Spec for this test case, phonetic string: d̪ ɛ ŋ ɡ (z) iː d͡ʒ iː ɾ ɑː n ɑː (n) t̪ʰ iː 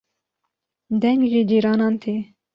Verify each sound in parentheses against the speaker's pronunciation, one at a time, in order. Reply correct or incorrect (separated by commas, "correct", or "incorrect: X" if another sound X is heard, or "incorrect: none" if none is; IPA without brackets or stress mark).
incorrect: ʒ, correct